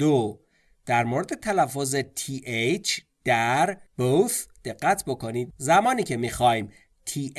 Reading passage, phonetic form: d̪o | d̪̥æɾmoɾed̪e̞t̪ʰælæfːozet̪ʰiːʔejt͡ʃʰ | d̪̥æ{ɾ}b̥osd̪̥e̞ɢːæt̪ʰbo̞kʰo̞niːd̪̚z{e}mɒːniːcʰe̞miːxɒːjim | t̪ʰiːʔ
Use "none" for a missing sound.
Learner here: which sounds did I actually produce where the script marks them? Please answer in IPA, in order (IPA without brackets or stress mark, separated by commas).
ɾ, æ